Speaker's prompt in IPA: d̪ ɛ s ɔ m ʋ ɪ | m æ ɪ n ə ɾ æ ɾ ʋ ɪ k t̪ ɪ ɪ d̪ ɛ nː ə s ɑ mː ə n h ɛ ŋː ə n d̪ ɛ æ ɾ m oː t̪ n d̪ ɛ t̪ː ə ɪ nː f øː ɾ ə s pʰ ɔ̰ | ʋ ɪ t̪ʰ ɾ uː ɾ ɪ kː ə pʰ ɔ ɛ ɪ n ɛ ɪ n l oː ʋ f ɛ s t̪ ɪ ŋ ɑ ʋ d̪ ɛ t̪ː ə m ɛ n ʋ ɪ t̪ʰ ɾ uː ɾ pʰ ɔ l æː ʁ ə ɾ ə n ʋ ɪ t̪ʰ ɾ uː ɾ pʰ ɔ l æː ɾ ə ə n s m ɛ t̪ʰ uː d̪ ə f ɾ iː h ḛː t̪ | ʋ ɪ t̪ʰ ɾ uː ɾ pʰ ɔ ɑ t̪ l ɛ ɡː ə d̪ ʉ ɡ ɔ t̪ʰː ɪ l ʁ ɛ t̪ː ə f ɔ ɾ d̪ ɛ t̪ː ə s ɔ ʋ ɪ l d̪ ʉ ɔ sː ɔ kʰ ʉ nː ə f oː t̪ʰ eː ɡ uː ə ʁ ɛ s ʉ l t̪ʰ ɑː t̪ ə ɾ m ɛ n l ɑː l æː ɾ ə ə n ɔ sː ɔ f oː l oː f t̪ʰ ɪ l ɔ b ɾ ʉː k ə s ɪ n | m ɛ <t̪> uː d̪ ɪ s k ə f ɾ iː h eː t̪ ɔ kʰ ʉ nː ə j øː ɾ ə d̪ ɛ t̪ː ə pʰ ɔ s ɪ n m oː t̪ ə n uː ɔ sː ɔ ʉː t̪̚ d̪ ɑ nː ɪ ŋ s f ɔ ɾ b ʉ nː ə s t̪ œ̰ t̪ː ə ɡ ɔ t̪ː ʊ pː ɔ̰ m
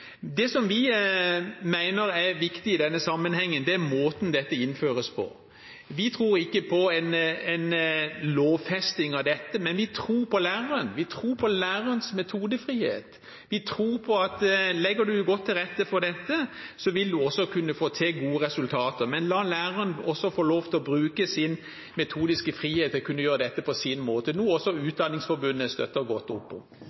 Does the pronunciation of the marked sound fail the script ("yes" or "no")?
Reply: yes